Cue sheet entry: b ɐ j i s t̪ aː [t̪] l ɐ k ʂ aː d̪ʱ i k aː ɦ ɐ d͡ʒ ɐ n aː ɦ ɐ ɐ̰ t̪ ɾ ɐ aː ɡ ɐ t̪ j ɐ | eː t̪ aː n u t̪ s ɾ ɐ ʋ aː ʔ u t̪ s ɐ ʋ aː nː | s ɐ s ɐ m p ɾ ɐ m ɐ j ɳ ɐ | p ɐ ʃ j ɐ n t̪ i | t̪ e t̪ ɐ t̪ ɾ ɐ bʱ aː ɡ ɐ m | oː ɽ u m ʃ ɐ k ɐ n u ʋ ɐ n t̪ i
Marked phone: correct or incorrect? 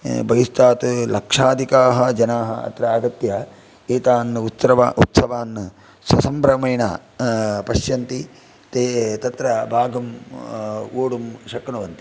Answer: correct